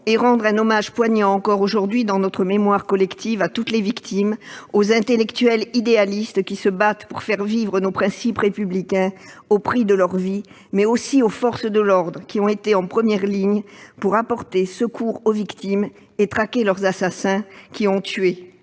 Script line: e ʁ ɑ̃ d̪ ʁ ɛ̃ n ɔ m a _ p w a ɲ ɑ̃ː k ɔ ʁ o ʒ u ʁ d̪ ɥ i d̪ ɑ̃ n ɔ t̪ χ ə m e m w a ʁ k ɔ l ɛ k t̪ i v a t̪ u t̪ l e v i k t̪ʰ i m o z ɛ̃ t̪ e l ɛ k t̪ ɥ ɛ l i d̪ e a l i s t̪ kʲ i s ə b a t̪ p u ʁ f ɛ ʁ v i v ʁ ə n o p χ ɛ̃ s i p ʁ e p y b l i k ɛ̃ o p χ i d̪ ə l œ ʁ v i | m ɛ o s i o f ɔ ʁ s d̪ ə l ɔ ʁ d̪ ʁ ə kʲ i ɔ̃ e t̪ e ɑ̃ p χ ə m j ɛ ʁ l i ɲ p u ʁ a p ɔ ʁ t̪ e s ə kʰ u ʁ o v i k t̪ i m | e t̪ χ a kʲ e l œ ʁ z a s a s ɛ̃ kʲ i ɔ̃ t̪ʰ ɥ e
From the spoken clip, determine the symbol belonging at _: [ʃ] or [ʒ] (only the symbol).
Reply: ʒ